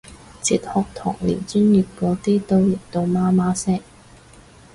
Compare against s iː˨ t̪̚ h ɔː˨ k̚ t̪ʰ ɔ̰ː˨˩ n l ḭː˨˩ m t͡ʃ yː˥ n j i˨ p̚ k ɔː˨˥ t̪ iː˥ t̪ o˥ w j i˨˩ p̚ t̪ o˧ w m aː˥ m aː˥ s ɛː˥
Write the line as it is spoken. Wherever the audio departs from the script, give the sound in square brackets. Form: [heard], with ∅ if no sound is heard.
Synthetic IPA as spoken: [t͡s] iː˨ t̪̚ h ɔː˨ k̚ t̪ʰ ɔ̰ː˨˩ [ŋ] l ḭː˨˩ [n] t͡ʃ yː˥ n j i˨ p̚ k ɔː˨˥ t̪ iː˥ t̪ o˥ w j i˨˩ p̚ t̪ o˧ w m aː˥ m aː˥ s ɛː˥